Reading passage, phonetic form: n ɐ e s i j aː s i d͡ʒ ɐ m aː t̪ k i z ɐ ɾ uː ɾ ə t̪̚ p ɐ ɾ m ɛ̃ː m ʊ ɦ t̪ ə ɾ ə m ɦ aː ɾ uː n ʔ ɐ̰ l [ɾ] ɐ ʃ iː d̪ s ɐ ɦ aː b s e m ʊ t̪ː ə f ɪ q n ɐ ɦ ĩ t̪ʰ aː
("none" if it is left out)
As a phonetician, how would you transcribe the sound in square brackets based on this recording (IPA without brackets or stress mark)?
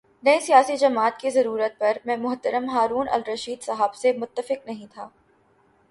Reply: ɾ